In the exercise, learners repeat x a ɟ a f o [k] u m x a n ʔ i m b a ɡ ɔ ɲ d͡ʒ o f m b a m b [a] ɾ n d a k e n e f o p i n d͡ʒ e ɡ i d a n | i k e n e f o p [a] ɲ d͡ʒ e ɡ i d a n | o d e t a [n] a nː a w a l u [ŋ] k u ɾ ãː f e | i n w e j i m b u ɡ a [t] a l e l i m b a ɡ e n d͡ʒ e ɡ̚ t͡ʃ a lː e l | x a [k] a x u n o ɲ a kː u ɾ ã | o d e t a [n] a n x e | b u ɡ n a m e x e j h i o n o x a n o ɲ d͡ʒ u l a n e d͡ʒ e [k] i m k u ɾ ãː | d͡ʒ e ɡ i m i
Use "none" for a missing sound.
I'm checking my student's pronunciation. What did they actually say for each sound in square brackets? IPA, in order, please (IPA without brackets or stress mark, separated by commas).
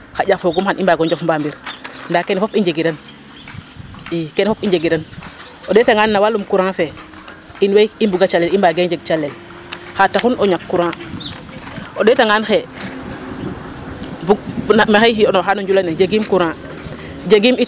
ɡ, i, i, ŋ, m, t͡ʃ, t, ŋ, ɡ